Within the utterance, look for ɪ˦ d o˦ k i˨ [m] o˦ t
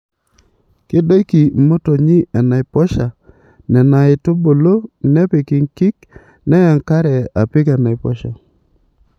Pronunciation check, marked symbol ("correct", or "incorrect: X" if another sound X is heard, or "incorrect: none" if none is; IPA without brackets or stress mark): correct